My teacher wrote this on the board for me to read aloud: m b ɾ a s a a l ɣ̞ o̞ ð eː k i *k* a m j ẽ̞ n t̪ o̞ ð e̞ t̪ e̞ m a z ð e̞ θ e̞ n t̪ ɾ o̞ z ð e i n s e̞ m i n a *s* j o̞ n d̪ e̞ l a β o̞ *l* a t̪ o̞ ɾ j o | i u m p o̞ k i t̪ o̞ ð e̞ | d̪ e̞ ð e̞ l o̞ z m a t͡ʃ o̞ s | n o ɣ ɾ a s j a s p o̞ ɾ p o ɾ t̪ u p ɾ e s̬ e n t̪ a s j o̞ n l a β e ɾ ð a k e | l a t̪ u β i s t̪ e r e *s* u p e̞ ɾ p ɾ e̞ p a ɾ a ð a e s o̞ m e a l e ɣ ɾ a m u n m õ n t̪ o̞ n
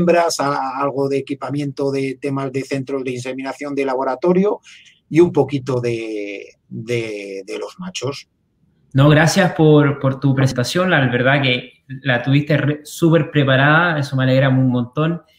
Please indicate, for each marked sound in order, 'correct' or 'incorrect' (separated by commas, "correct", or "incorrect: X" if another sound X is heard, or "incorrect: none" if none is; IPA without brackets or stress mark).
incorrect: p, incorrect: θ, incorrect: ɾ, correct